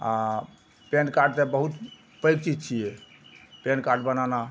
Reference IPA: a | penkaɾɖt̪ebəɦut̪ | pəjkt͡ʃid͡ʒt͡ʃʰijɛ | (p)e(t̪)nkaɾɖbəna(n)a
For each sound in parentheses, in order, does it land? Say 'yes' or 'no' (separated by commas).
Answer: yes, no, yes